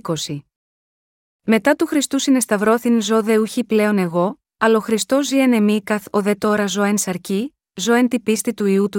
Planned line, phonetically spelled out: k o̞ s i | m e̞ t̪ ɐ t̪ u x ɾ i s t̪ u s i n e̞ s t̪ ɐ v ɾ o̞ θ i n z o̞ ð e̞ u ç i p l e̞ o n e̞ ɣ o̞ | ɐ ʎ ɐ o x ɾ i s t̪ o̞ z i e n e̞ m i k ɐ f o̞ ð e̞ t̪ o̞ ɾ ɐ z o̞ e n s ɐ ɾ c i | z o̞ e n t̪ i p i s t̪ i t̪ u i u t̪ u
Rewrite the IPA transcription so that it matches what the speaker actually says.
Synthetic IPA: k o̞ s i | m e̞ t̪ ɐ t̪ u x ɾ i s t̪ u s i n e̞ s t̪ ɐ v ɾ o̞ θ i n z o̞ ð e̞ u ç i p l e̞ o n e̞ ɣ o̞ | ɐ l ɐ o x ɾ i s t̪ o̞ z i e n e̞ m i k ɐ θ o̞ ð e̞ t̪ o̞ ɾ ɐ z o̞ e n s ɐ ɾ c i | z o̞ e n t̪ i p i s t̪ i t̪ u i u t̪ u